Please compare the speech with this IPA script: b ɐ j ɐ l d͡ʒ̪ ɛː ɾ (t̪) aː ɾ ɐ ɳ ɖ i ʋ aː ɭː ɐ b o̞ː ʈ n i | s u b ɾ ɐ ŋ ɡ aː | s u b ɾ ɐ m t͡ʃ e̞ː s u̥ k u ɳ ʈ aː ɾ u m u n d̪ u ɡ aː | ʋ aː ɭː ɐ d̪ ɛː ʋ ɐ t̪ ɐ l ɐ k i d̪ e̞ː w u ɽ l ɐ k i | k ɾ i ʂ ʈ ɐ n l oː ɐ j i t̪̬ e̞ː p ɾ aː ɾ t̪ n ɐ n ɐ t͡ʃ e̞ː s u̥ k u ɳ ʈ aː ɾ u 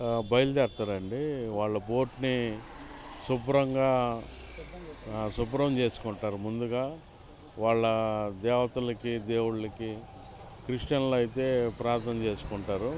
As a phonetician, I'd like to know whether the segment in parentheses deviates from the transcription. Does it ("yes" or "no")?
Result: no